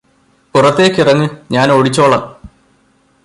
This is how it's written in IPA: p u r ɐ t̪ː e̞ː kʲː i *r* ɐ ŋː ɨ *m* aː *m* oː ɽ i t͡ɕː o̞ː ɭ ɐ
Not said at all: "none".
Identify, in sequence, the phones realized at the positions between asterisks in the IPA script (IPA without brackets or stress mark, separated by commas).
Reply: r, ɲ, n